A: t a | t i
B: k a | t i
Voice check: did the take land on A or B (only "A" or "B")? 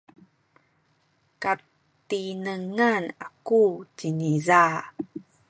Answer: B